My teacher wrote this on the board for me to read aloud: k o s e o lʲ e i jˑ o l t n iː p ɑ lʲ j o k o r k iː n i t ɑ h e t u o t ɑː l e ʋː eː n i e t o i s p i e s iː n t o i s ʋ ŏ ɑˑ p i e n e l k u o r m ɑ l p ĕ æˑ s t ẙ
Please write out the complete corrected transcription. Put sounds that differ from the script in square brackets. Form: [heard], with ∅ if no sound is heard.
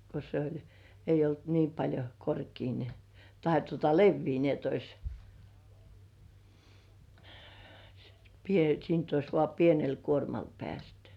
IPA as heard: k o s e o lʲ e i jˑ o l t n iː p ɑ lʲ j o k o r k iː n i t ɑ h e t u o t [ɑ] l e ʋː [iː] n i e t o i s p i e s iː n t o i s ʋ ŏ ɑˑ p i e n e l k u o r m ɑ l p ĕ æˑ s t ẙ